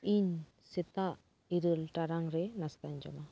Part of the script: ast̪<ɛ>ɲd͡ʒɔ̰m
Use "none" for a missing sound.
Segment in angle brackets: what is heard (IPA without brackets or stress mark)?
a